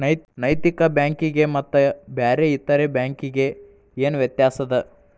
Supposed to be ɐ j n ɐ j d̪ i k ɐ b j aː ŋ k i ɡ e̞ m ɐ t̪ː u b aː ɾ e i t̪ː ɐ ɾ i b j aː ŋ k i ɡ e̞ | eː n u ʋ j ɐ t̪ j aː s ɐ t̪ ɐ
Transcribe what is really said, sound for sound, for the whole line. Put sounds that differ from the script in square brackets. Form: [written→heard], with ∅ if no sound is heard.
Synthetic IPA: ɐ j n ɐ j [d̪→t̪] i k ɐ b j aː ŋ k i ɡ e̞ m ɐ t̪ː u b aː ɾ e i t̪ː ɐ ɾ [i→e] b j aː ŋ k i ɡ e̞ | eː n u ʋ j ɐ t̪ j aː s ɐ [t̪→d̪] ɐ